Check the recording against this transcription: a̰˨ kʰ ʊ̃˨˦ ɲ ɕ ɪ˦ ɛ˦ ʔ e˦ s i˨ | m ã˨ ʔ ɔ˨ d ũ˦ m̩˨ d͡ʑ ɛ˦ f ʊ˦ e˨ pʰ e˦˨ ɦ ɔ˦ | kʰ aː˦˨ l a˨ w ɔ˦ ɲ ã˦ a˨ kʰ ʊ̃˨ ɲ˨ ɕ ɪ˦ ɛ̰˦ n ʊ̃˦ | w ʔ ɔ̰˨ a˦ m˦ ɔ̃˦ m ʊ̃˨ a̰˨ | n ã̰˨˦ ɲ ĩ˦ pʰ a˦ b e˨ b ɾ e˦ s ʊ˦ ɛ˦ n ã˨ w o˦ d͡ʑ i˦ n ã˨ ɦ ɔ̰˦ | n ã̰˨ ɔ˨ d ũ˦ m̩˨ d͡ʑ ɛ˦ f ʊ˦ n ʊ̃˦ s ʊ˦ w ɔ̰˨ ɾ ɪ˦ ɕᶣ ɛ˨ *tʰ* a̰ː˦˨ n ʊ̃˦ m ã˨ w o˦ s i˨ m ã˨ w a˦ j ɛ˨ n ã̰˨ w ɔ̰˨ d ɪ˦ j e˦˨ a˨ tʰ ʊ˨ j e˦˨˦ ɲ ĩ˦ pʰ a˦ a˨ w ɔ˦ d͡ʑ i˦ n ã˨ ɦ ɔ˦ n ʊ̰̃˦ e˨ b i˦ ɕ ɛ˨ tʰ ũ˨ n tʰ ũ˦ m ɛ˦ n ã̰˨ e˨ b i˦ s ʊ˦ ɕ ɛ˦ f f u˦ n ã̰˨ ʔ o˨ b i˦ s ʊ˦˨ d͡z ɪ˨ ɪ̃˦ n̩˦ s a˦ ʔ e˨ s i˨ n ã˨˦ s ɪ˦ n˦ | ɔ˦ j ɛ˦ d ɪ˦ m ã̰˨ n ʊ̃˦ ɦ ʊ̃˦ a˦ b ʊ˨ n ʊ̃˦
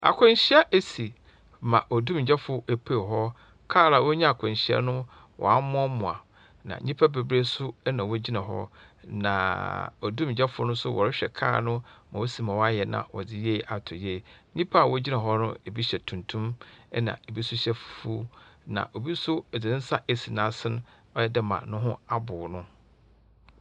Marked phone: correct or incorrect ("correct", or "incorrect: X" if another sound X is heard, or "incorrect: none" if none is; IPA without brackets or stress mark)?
incorrect: kʰ